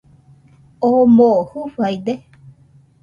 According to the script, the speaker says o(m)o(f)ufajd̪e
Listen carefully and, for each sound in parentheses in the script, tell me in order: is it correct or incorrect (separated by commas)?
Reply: correct, incorrect